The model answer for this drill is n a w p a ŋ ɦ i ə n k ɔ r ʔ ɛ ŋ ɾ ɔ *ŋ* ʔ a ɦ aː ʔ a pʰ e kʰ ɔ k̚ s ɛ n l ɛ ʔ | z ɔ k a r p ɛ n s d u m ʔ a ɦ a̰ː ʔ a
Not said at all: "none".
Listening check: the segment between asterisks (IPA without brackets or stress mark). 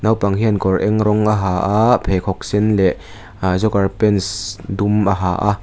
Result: ŋ